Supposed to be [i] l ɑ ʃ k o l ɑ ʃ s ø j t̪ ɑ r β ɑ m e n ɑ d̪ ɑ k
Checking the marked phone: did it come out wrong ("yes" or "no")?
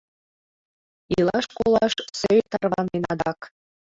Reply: no